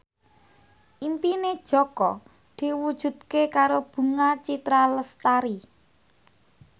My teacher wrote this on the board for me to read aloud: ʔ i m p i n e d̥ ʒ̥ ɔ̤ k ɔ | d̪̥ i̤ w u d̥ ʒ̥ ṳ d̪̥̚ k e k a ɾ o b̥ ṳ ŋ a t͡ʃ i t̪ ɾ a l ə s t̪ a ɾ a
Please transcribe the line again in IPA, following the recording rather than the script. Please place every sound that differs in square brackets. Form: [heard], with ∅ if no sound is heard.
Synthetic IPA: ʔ i m p i n e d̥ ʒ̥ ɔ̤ k ɔ | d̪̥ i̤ w u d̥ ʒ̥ ṳ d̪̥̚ k e k a ɾ o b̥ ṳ ŋ a t͡ʃ i t̪ ɾ a l ə s t̪ a ɾ [i]